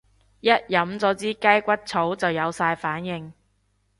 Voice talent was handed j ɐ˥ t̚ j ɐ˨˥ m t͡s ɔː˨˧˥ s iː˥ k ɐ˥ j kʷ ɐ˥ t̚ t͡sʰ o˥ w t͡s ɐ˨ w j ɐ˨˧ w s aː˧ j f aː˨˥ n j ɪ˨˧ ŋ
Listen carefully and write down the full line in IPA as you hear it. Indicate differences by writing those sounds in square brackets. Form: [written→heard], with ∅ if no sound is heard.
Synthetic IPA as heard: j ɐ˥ t̚ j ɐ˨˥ m t͡s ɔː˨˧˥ [s→t͡s] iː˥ k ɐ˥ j kʷ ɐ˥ t̚ t͡sʰ [o˥→o˨˥] w t͡s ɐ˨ w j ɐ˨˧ w s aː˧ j f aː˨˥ n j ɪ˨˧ ŋ